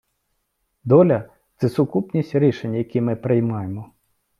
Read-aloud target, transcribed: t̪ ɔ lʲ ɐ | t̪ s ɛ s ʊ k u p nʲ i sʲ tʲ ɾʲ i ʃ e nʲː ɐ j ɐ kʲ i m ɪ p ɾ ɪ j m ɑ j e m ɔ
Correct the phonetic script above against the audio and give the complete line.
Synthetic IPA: d̪ ɔ lʲ ɐ | t̪ s ɛ s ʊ k u p nʲ i sʲ tʲ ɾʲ i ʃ e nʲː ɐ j ɐ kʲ i m ɪ p ɾ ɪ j m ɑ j e m ɔ